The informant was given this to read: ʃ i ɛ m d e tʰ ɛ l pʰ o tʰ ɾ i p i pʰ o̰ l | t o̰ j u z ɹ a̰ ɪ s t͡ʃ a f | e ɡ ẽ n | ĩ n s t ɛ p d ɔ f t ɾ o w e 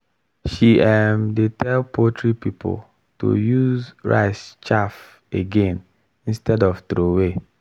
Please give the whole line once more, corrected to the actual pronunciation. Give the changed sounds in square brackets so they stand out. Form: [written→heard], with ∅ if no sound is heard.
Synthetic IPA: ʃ i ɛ m d e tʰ ɛ l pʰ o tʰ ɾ i p i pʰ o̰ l | t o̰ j u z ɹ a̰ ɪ s t͡ʃ a f | e ɡ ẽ n | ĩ n s t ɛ [p→∅] d ɔ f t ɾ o w e